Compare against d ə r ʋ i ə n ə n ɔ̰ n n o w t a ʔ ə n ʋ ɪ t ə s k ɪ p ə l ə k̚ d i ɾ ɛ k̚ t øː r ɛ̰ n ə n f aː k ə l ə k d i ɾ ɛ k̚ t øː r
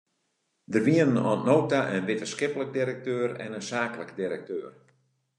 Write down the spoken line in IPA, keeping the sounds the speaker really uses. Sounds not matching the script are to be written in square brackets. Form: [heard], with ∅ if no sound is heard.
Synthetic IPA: d ə r ʋ i ə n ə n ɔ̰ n n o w t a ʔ ə n ʋ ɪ t ə s k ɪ p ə l ə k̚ d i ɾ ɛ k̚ t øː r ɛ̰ n ə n [s] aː k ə l ə k d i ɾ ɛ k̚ t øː r